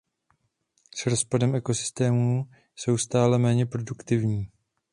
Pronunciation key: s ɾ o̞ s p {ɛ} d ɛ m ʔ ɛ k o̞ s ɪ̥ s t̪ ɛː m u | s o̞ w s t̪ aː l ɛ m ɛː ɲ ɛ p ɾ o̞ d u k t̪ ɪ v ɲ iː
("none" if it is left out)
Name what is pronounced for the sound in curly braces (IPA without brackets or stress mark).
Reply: a